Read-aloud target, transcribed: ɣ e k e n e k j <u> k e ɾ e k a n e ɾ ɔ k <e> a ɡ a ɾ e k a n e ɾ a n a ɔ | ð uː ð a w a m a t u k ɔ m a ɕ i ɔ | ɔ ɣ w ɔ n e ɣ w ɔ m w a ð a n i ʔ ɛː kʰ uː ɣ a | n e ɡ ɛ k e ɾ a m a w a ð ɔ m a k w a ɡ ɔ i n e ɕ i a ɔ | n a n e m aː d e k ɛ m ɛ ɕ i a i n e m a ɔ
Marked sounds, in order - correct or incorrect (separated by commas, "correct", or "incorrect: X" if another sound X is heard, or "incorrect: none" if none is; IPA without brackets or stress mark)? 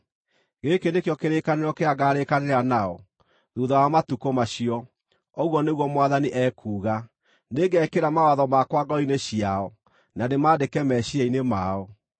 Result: incorrect: ɔ, correct